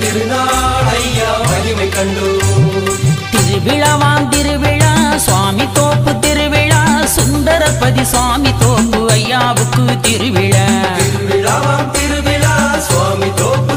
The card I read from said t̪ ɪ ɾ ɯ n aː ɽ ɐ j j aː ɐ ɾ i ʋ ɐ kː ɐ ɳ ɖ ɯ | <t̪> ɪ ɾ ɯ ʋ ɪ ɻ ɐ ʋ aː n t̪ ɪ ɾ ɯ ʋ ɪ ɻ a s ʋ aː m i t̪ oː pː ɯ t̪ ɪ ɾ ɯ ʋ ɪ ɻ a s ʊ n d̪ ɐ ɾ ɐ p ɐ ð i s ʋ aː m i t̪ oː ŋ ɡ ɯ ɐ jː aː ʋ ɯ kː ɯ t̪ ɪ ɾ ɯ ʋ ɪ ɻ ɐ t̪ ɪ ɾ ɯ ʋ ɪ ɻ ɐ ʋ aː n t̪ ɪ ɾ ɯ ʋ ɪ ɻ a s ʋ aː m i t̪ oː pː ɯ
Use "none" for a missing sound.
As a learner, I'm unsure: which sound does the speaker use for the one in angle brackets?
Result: t̪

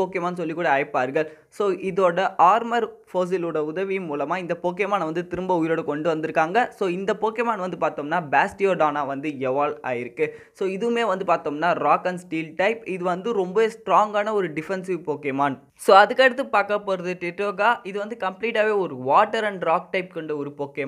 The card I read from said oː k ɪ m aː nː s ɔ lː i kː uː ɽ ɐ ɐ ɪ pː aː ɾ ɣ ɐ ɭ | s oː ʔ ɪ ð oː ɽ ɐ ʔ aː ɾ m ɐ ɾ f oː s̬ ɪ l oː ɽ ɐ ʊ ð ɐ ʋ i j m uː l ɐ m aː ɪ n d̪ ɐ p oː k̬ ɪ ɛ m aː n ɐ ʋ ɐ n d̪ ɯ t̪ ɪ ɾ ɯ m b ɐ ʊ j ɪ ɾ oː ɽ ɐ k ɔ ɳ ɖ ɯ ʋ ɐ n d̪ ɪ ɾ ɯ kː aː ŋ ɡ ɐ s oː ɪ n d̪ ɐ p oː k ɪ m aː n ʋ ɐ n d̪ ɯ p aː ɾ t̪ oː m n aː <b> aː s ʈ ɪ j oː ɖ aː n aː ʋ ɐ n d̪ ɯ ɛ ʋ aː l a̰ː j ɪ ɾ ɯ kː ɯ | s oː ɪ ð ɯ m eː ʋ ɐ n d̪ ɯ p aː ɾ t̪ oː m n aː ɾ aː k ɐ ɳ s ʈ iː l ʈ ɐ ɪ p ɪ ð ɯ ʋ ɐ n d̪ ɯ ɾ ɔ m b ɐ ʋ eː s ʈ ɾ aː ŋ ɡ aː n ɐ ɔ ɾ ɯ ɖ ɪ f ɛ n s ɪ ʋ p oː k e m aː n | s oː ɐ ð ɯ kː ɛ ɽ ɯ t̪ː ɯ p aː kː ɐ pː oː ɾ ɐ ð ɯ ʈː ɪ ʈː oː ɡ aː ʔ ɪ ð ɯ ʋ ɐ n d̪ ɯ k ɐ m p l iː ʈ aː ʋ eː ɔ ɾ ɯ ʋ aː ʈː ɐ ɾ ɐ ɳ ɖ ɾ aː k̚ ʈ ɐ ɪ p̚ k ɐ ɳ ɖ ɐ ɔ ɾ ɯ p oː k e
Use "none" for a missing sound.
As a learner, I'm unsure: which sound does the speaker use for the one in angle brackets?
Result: b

